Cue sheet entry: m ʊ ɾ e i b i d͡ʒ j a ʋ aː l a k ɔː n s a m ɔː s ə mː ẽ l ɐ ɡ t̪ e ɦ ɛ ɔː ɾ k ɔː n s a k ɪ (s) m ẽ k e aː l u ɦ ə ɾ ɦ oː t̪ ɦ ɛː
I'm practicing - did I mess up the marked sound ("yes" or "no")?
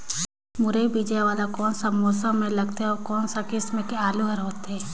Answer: no